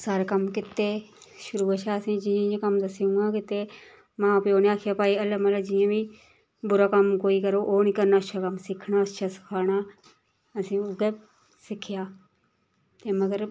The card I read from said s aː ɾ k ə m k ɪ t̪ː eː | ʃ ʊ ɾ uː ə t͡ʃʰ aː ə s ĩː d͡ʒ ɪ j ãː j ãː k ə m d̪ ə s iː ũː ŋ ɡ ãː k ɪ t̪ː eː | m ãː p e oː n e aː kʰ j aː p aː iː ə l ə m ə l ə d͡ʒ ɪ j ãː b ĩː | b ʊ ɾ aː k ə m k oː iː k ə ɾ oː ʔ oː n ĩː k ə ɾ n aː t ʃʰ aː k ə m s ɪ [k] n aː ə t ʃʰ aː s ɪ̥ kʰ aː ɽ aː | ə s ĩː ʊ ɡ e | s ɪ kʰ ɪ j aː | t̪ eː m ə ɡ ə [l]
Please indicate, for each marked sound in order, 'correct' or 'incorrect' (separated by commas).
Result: incorrect, incorrect